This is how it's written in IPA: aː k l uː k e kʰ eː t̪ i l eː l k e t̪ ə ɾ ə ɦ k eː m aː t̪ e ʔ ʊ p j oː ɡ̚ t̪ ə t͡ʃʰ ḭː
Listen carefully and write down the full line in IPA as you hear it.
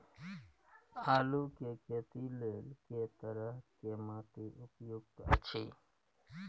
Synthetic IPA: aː l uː k e k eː t̪ i l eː l k e t̪ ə ɾ ə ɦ k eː m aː t̪ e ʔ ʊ p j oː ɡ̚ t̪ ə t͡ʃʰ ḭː